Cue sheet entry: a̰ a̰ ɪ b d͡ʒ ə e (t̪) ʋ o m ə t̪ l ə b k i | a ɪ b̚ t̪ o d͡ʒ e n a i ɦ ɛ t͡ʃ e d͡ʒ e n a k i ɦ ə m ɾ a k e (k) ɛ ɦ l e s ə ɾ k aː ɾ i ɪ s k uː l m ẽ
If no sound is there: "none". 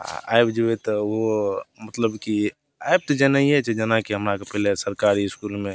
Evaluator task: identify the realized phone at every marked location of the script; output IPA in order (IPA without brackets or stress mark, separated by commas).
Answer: t̪, p